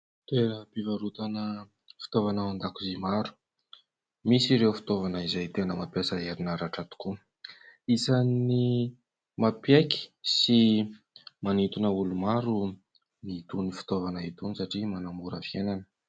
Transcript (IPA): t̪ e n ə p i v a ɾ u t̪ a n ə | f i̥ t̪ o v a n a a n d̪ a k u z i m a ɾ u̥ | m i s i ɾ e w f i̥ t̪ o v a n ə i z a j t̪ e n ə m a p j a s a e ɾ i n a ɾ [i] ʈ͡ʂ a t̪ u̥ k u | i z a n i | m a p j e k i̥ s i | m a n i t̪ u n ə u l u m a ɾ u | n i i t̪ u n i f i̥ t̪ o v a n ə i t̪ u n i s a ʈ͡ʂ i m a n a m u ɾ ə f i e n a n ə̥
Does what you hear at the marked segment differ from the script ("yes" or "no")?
yes